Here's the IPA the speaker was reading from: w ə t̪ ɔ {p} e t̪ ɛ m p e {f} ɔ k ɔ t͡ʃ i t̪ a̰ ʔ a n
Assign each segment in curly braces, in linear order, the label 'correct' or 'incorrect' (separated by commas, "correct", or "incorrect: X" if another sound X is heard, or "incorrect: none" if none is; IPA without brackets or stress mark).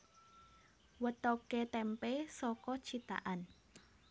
incorrect: k, incorrect: s